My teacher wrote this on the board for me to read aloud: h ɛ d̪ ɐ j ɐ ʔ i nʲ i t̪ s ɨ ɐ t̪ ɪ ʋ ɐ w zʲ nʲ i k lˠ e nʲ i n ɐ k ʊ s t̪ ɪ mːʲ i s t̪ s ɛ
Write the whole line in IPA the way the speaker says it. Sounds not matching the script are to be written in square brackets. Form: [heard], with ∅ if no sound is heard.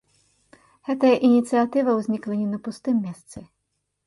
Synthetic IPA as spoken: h ɛ [t̪] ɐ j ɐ ʔ i nʲ i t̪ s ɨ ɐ t̪ ɪ ʋ ɐ w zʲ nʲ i k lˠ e nʲ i n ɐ [p] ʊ s t̪ ɪ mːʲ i s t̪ s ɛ